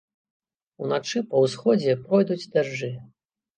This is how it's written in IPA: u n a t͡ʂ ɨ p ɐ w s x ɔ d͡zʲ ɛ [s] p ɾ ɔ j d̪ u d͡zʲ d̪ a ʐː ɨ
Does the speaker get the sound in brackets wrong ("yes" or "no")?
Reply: yes